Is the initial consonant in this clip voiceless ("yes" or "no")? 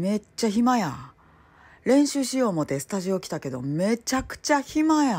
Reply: no